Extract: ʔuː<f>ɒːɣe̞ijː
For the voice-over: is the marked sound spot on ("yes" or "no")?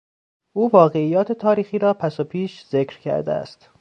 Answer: no